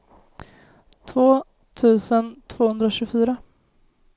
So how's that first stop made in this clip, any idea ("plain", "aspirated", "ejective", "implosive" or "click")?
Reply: aspirated